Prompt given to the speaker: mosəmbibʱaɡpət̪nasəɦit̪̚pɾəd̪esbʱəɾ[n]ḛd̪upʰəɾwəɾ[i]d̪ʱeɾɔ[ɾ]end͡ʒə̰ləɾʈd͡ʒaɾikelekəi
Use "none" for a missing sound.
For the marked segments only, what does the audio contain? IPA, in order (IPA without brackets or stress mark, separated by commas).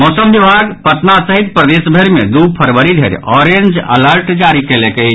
m, i, ɾ